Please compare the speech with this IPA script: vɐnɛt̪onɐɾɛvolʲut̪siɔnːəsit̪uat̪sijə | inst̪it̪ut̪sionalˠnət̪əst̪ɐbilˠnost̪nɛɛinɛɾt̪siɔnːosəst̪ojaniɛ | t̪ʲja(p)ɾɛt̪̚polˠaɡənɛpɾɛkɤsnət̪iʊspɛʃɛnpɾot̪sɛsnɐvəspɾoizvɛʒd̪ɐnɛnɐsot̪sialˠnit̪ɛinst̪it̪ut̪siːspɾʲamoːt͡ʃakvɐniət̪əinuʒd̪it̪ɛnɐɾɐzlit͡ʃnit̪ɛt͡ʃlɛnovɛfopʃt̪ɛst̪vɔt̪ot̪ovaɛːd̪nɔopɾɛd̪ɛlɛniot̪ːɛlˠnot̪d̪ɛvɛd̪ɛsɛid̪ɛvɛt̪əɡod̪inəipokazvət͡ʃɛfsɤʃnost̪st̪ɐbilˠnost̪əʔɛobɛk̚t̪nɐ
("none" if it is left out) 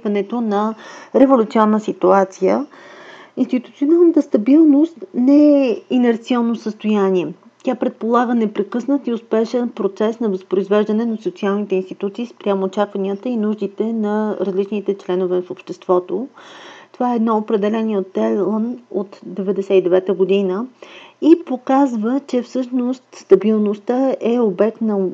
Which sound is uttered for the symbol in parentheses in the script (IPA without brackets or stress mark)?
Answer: p